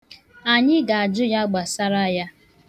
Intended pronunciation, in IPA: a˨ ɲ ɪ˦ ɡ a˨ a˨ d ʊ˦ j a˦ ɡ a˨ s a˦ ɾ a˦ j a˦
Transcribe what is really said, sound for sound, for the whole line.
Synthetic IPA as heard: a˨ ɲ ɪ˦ ɡ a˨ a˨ d͡ʒ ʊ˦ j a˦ ɡ͡b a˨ s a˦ ɾ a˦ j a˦